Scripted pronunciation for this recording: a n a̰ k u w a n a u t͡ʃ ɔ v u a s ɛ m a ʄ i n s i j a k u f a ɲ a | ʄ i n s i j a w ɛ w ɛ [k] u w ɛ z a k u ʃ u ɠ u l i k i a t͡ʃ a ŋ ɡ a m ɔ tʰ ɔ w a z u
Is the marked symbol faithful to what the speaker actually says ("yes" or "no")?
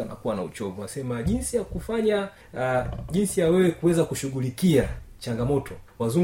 yes